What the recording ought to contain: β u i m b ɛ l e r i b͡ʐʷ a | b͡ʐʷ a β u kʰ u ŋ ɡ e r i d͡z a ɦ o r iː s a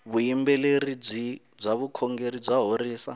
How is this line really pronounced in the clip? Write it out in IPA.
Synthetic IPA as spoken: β u i m b ɛ l e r i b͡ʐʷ i | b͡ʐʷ a β u kʰ ɔ ŋ ɡ e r i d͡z a ɦ o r iː s a

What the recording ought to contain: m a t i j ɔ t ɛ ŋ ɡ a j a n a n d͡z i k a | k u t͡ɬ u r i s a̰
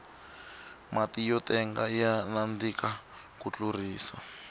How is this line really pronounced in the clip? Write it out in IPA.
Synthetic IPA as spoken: m a t i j ɔ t ɛ ŋ ɡ a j a n a n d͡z i k a | k u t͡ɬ u r iː s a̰

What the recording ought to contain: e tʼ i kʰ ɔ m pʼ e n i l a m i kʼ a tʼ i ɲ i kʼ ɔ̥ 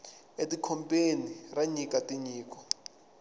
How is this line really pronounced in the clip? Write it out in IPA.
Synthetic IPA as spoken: e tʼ i kʰ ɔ m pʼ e n i r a ɲ i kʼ a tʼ i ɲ iː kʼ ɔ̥

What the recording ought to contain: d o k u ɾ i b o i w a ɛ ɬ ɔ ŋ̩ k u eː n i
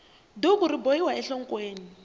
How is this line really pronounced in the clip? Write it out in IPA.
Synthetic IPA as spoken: d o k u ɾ i b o i w a ɛ ɬ ɔ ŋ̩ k w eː n i

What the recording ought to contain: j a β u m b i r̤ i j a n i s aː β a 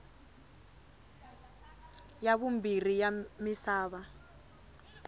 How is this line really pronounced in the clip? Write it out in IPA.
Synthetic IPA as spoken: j a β u m b i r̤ i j a m i s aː β a

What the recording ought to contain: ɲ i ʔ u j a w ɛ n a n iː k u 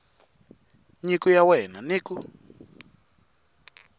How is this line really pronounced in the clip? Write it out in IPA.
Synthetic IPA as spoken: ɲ i k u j a w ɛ n a n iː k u

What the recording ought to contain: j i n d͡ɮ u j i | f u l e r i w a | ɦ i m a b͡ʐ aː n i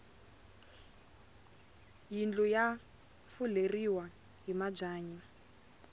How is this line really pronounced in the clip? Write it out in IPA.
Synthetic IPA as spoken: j i n d͡ɮ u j a | f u l e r i w a | ɦ i m a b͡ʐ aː ɲ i

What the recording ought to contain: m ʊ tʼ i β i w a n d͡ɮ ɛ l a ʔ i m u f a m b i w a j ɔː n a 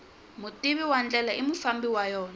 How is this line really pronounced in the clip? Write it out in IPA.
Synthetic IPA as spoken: m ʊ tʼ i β i w a n d͡ɮ ɛ l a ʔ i m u f a m b i w a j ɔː n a

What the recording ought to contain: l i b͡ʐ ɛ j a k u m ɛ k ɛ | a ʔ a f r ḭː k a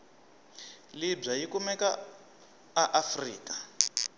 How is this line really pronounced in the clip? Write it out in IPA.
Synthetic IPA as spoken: l i b͡ʐ a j i k u m ɛ k a | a ʔ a f r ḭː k a

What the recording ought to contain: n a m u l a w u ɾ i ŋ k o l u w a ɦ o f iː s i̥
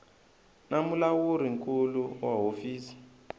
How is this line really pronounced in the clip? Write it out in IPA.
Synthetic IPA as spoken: n a m u l a w u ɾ i ŋ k u l u w a ɦ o f iː s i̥

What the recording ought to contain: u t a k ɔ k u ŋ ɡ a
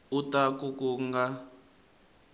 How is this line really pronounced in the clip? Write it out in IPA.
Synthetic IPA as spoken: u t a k u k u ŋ ɡ a

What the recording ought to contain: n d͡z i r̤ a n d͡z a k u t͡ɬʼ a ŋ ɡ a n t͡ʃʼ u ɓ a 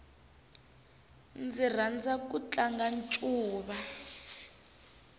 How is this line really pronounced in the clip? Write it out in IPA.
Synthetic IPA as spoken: n d͡z i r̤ a n d͡z a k u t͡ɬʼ a ŋ ɡ a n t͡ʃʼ uː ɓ a

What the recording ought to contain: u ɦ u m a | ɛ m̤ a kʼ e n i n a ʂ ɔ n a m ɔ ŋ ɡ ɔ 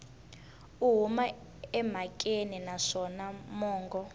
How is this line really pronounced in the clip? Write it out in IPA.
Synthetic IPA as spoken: u ɦ u m a | ɛ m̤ a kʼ e n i n a ʂ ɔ n a m ɔː ŋ ɡ ɔ

